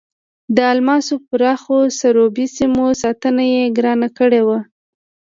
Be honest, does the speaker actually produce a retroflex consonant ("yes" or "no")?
yes